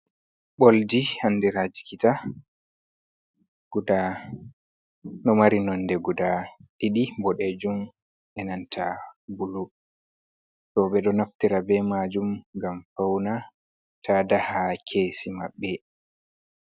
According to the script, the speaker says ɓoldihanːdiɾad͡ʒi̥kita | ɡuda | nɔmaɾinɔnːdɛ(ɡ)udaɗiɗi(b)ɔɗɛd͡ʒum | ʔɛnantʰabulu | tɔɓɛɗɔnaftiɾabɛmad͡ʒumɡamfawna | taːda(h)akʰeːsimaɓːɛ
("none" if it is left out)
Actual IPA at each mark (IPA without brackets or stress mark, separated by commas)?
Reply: ɡ, b, h